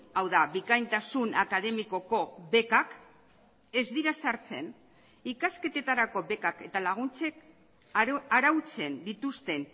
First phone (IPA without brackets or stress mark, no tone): a